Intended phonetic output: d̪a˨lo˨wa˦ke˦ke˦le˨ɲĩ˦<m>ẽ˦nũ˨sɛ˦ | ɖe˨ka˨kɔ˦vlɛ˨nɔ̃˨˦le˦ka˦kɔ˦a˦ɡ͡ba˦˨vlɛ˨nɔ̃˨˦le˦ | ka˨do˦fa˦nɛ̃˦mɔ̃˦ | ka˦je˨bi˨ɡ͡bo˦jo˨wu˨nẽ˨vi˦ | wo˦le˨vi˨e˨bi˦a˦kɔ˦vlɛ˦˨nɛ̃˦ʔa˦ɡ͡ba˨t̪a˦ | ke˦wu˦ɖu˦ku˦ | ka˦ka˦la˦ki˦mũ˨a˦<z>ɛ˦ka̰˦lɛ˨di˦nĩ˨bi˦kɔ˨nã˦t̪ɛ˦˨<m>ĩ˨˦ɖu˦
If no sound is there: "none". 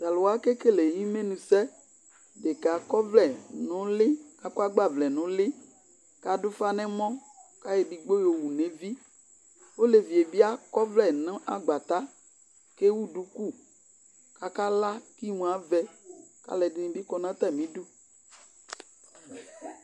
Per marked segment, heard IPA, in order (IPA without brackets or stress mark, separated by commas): m, v, m